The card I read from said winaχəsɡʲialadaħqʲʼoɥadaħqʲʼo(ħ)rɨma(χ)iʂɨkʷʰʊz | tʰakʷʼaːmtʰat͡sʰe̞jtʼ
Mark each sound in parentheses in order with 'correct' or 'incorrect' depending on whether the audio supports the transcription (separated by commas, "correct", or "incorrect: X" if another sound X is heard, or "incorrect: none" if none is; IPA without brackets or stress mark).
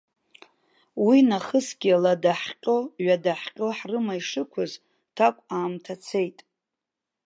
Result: correct, incorrect: none